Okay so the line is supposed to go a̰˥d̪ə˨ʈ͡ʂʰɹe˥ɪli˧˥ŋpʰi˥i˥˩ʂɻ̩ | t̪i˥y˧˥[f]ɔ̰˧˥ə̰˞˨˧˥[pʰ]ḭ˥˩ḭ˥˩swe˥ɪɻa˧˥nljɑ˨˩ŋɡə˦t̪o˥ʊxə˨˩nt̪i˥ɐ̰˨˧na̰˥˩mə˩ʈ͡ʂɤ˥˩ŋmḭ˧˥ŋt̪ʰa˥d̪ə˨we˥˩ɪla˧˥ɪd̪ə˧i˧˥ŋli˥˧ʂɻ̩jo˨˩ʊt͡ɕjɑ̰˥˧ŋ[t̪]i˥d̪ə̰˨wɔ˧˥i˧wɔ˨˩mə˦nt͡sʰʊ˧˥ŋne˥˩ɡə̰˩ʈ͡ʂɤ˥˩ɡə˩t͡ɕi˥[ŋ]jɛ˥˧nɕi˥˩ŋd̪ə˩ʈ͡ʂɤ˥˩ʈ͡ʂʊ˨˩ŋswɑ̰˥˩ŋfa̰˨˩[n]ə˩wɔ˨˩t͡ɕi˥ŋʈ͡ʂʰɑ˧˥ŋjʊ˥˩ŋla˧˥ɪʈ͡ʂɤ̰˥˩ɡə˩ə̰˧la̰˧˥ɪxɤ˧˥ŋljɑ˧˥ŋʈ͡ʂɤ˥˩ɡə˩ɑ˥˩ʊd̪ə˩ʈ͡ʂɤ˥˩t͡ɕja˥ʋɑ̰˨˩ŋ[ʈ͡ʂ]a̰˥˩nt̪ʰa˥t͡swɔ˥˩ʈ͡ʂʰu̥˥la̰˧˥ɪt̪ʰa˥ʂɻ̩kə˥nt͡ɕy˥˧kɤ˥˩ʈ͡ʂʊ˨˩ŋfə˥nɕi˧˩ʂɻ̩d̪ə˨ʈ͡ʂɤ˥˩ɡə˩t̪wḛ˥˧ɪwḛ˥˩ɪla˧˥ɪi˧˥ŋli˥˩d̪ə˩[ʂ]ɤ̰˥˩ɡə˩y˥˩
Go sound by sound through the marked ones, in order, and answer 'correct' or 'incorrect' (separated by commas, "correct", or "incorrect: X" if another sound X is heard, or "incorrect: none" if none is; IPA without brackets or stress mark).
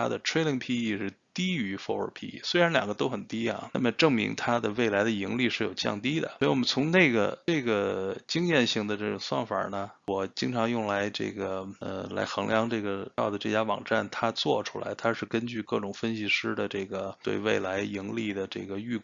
correct, correct, correct, correct, correct, correct, incorrect: ʈ͡ʂ